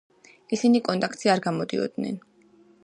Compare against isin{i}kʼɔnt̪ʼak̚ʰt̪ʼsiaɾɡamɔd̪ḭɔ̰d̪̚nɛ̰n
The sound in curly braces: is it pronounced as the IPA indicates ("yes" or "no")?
yes